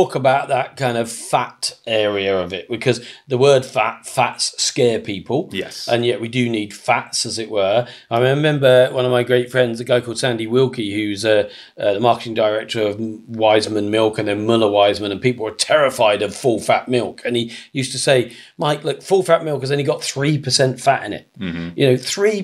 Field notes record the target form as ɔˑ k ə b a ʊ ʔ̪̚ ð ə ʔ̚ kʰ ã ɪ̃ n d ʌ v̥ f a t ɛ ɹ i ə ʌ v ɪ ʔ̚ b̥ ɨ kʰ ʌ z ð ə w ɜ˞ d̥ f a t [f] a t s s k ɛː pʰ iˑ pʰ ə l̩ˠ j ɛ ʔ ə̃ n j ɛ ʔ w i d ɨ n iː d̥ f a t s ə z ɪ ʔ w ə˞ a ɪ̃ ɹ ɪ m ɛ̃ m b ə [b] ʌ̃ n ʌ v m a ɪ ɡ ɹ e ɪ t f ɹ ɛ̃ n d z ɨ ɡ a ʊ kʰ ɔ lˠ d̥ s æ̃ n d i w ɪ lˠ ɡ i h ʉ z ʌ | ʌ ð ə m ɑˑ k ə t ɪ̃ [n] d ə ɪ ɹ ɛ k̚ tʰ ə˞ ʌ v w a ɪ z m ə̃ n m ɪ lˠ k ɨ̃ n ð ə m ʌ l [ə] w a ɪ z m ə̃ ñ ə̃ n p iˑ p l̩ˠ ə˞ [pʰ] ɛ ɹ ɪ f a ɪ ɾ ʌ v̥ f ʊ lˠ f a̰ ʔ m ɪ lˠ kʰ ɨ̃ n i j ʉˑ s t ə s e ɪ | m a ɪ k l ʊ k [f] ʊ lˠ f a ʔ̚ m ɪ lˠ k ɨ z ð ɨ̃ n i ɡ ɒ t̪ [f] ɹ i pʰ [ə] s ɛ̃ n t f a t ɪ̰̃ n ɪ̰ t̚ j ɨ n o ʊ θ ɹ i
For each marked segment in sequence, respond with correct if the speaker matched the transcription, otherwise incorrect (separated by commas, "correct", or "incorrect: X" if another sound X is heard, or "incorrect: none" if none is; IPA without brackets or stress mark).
correct, incorrect: w, incorrect: ŋ, correct, incorrect: tʰ, correct, incorrect: θ, correct